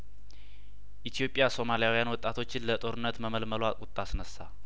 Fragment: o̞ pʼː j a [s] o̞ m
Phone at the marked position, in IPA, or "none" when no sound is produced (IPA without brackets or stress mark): s